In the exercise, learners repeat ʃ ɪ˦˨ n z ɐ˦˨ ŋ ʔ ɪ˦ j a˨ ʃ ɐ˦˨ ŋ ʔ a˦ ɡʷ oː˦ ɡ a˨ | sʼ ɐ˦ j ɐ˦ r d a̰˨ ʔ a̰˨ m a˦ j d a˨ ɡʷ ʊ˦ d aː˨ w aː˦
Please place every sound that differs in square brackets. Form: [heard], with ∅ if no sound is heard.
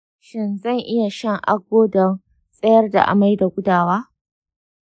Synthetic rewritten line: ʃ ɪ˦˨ n z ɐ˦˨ ŋ ʔ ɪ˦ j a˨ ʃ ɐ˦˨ ŋ ʔ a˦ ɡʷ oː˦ [d] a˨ | sʼ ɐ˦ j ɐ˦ r d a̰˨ ʔ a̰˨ m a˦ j d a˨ ɡʷ ʊ˦ d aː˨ w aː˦